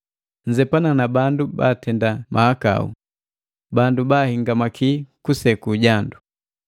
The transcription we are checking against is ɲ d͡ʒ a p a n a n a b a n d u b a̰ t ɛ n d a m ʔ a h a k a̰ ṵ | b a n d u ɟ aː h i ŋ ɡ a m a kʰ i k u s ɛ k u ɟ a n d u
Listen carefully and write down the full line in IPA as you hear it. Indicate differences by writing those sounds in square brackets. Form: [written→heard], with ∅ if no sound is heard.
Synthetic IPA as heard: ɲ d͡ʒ [a→ɛ] p a n a n a b a n d u b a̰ t ɛ n d a m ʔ a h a k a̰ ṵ | b a n d u [ɟ→b] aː h i ŋ ɡ a m a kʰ i k u s ɛ k u ɟ a n d u